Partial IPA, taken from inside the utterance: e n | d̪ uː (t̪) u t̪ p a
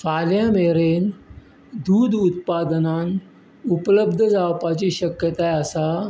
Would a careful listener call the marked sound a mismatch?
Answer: yes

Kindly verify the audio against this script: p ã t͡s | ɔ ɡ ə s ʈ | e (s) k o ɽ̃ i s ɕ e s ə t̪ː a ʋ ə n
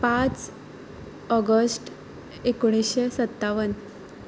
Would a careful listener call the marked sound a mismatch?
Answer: yes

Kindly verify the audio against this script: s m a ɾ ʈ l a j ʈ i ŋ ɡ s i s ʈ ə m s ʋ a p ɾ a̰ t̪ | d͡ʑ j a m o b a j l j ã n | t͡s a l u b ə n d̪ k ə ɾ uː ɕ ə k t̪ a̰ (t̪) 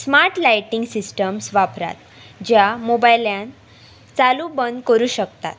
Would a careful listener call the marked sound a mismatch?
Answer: no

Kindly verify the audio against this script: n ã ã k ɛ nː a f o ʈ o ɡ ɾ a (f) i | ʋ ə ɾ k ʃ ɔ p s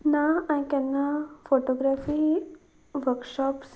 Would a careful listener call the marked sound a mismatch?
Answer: no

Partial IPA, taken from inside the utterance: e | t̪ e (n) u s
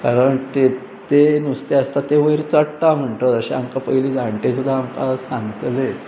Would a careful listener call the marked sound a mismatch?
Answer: no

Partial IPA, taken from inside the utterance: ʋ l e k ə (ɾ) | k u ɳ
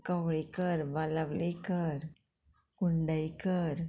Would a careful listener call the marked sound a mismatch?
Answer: no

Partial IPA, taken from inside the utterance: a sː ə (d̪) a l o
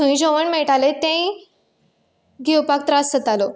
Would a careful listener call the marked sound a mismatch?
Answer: yes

